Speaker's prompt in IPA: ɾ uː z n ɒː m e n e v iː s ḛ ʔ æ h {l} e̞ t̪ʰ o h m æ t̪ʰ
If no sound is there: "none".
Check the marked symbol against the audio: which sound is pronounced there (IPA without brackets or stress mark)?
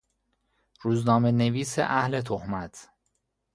l